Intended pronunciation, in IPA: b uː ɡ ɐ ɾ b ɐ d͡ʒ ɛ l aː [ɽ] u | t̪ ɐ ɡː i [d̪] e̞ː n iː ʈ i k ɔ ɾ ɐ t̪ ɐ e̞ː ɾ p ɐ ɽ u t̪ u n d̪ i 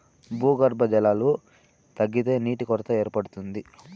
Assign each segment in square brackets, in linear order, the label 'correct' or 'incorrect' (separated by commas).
incorrect, incorrect